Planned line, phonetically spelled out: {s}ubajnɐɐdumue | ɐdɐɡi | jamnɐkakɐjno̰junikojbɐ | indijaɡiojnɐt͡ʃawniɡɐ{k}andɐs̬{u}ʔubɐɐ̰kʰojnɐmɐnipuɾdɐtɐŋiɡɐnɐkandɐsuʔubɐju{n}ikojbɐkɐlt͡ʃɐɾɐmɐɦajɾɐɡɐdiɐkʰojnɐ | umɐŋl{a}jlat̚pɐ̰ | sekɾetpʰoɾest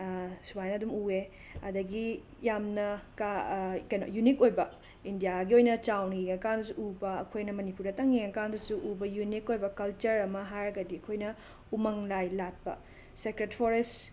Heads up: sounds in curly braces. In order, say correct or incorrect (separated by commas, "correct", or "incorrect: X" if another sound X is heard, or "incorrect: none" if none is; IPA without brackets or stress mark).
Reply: correct, correct, correct, correct, correct